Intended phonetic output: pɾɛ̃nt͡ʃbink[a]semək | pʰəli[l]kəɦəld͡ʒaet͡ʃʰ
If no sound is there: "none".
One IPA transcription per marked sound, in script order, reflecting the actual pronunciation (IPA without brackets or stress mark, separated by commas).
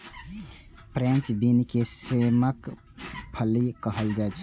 e, none